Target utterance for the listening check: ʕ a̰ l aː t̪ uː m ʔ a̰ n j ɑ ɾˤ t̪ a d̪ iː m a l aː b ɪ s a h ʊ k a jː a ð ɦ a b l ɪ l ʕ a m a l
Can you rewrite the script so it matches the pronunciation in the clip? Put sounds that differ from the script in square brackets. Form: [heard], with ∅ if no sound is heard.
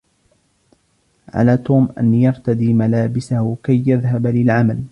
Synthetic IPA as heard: ʕ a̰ l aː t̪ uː m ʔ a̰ n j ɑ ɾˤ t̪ a d̪ iː m a l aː b ɪ s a h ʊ k a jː a ð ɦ a b l ɪ l ʕ a m a l